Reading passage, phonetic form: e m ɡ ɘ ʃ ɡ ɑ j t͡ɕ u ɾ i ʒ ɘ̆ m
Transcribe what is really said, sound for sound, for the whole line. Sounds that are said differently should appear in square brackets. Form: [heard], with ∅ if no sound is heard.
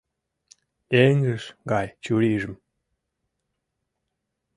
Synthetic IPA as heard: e [ŋ] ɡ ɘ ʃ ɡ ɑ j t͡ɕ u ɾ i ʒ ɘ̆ m

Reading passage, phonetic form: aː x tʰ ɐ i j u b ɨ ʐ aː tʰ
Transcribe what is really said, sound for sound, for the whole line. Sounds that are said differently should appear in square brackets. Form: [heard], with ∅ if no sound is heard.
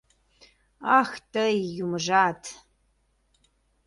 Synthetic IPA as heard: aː x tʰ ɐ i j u [m] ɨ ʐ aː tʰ

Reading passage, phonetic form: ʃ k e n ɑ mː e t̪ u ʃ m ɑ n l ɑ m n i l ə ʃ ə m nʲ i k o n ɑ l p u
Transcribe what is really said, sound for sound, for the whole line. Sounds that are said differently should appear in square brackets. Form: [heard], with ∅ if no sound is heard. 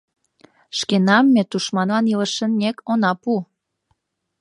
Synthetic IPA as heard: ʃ k e n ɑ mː e t̪ u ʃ m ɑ n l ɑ [∅] n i l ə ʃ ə [n] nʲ [e] k o n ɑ [∅] p u

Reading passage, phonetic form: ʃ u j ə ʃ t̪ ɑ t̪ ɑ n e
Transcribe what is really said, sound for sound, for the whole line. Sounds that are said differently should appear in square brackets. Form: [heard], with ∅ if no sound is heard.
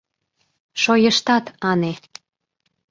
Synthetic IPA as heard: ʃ [o] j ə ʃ t̪ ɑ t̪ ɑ n e

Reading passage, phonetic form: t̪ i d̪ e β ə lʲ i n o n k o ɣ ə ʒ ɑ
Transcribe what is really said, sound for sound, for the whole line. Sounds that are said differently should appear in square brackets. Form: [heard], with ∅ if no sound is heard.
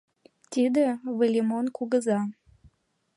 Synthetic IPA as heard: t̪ i d̪ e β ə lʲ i [m] o n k [u] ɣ ə [z] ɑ

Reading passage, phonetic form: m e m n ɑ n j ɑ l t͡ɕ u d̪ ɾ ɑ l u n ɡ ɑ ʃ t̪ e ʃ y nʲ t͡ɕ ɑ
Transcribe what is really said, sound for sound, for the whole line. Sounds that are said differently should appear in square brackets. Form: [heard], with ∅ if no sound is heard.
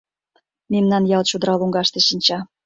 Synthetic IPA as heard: m e m n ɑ n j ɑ l t͡ɕ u d̪ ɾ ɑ l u [ŋ] ɡ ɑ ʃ t̪ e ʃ [i] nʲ t͡ɕ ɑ

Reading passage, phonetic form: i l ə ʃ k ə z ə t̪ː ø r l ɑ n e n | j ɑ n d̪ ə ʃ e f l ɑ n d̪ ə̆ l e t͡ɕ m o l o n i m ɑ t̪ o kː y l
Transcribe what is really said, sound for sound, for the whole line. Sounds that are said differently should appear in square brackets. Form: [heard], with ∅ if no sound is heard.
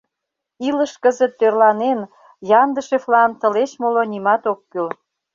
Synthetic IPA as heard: i l ə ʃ k ə z ə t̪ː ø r l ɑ n e n | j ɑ n d̪ ə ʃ e f l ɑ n [t̪] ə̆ l e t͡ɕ m o l o n i m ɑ t̪ o kː y l

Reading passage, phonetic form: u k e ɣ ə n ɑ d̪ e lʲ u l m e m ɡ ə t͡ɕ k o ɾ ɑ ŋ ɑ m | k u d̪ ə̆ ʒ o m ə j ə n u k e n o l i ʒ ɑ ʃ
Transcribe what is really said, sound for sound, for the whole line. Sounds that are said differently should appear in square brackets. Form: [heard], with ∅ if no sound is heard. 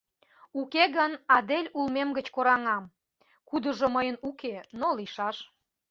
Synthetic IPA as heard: u k e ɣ ə n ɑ d̪ e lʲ u l m e m ɡ ə t͡ɕ k o ɾ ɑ ŋ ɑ m | k u d̪ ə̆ ʒ o m ə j ə n u k e n o l i [ʃ] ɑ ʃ

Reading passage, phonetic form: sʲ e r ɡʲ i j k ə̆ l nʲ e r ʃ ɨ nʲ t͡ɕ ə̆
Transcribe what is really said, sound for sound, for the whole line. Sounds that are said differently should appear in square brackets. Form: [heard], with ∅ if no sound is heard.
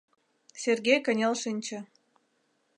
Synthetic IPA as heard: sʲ e r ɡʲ [e] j k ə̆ [∅] nʲ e [l] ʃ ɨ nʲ t͡ɕ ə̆

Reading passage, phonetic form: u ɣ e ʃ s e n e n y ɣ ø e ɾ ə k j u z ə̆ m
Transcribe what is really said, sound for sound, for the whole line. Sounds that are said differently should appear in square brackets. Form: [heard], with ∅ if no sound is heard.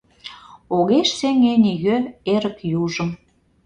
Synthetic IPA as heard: [o] ɣ e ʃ s e [ŋ] e n [i] ɣ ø e ɾ ə k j u [ʒ] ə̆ m

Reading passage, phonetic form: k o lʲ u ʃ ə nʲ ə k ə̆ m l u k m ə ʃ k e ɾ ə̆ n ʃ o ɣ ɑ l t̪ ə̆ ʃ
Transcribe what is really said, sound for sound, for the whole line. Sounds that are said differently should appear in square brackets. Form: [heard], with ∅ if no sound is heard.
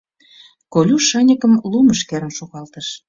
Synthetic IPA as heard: k o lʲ u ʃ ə nʲ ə k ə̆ m l u [∅] m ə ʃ k e ɾ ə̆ n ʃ o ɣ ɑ l t̪ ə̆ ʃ

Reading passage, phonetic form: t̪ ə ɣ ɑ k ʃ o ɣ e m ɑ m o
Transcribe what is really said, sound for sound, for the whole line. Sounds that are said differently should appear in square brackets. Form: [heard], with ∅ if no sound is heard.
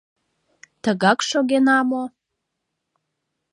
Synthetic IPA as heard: t̪ ə ɣ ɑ k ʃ o ɣ e [n] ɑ m o

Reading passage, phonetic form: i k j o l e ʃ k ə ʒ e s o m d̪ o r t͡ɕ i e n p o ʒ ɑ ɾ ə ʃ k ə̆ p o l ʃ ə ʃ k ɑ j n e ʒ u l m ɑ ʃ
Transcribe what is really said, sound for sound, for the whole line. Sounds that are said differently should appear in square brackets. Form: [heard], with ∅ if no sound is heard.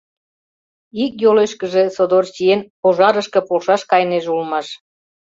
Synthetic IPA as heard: i k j o l e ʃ k ə ʒ e s o [∅] d̪ o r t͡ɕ i e n p o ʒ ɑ ɾ ə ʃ k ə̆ p o l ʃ [ɑ] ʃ k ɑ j n e ʒ u l m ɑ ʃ

